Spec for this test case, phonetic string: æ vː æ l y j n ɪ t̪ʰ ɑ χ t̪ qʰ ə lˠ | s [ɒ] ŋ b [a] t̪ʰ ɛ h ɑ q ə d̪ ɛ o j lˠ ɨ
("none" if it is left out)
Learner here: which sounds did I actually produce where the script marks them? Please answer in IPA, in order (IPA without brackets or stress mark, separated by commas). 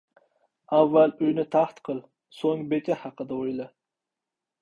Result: o, e